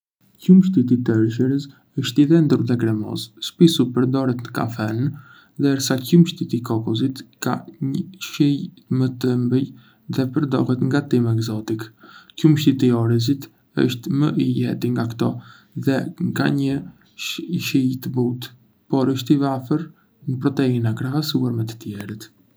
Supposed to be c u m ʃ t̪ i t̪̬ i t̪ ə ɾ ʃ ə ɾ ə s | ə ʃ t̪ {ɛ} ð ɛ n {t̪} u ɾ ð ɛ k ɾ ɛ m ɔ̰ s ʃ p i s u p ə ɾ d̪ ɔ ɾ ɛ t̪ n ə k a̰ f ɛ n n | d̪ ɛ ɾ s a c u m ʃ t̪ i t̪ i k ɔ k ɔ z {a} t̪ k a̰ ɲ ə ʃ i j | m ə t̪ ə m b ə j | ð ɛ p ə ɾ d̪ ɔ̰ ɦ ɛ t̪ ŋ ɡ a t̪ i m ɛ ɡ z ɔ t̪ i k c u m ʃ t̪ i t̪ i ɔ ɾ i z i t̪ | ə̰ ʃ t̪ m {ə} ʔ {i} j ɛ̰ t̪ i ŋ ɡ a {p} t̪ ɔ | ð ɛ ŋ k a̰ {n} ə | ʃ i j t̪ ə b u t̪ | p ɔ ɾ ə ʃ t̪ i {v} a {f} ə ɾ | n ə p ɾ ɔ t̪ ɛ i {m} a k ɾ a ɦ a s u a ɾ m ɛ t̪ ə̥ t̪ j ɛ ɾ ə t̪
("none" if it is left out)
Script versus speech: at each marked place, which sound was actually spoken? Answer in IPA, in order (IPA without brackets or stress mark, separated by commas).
i, d̪, i, ə, i, k, ɲ, v, f, n